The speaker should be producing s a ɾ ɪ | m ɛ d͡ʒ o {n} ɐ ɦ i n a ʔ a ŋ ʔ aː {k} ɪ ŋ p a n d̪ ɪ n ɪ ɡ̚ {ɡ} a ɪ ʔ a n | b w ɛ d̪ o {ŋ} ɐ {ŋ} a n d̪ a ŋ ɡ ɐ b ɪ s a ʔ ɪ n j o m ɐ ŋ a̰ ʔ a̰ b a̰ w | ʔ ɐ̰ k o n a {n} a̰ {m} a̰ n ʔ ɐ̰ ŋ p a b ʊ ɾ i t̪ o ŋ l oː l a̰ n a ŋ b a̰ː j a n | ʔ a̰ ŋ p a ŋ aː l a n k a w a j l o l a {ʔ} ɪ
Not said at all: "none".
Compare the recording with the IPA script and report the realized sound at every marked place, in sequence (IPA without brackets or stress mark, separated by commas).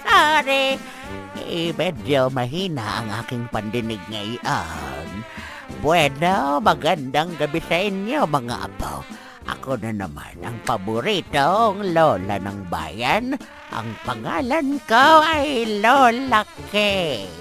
m, k, ŋ, m, ɡ, n, m, k